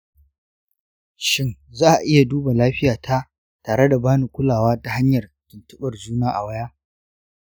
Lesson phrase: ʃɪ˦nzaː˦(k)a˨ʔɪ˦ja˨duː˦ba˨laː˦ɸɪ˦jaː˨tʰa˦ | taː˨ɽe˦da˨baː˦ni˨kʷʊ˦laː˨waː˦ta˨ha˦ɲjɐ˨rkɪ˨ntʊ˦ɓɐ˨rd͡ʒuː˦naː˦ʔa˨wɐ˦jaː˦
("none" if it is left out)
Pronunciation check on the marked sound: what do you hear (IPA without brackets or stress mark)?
ʔ